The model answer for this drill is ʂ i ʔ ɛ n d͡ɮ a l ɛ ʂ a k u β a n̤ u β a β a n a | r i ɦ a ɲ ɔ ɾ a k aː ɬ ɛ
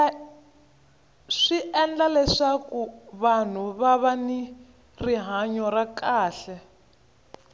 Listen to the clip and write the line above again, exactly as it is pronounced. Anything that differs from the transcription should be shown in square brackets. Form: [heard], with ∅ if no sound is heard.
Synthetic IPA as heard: ʂ i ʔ ɛ n d͡ɮ a l ɛ ʂ a k u β a n̤ u β a β a n [i] | r i ɦ a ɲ ɔ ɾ a k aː ɬ ɛ